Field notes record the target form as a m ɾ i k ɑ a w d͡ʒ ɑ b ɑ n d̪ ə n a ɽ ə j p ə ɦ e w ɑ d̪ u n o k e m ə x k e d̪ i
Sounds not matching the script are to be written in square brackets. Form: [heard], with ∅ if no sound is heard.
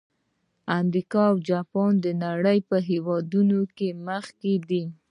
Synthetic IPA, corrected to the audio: a m ɾ i k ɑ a w d͡ʒ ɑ [p] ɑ n d̪ ə n a ɽ ə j p ə ɦ e w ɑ d̪ u n o k e m ə x k e d̪ i